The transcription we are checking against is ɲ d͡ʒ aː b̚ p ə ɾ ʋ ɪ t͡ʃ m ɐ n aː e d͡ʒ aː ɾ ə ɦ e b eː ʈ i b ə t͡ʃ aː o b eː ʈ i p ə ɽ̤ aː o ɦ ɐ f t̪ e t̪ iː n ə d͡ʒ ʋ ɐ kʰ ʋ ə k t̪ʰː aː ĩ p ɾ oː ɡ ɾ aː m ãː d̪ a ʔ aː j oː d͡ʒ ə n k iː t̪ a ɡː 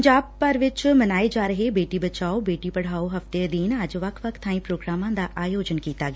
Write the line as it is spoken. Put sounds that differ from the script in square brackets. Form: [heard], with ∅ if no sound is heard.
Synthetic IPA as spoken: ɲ d͡ʒ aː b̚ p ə ɾ ʋ ɪ t͡ʃ m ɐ n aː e d͡ʒ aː ɾ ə ɦ e b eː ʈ i b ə t͡ʃ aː o b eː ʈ i p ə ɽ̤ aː o ɦ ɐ f t̪ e [d̪] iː n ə d͡ʒ ʋ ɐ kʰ ʋ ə k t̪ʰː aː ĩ p ɾ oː ɡ ɾ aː m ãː d̪ a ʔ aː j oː d͡ʒ ə n k iː t̪ a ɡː